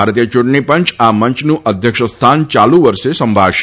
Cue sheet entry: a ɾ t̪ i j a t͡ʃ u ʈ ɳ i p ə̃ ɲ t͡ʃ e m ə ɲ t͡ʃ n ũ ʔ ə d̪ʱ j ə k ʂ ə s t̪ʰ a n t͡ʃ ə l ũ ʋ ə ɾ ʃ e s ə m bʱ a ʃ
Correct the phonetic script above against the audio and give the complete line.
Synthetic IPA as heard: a ɾ t̪ i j ə t͡ʃ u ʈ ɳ i p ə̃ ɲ t͡ʃ a m ə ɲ t͡ʃ n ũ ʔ ə d̪ʱ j ə k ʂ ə s t̪ʰ a n t͡ʃ a l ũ ʋ ə ɾ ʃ e s ə m bʱ a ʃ